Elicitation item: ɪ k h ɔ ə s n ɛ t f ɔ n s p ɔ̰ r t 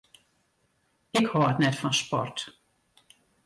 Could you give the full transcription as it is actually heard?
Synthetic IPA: ɪ k h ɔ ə t n ɛ t f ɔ n s p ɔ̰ r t